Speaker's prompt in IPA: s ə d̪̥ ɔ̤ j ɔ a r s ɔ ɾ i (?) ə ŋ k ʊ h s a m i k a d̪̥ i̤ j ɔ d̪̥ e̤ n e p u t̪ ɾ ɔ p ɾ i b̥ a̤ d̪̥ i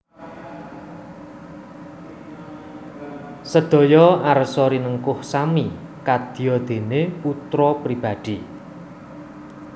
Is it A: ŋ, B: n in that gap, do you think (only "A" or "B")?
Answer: B